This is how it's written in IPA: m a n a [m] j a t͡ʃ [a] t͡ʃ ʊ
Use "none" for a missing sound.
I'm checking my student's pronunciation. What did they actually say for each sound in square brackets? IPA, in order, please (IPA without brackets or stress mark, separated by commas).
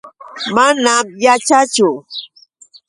m, a